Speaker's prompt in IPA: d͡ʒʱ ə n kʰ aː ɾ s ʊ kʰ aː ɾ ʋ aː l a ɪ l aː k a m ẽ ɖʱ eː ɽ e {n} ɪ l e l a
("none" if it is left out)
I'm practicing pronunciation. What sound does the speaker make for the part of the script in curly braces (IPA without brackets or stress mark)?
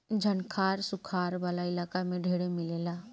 m